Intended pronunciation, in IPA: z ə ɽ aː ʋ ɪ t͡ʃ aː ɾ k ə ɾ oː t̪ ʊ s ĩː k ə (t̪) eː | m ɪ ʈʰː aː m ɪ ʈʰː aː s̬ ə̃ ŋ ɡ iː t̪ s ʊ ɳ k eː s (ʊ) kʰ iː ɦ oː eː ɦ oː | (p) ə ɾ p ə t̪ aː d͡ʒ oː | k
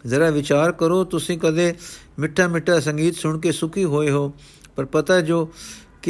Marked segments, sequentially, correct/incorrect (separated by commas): incorrect, correct, correct